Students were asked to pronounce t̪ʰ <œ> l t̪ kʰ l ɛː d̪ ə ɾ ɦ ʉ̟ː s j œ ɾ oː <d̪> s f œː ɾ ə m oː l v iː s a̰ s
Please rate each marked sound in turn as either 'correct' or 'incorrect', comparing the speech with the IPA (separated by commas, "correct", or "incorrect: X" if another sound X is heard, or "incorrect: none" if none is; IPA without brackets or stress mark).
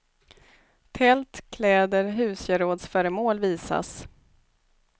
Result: incorrect: ɛ, correct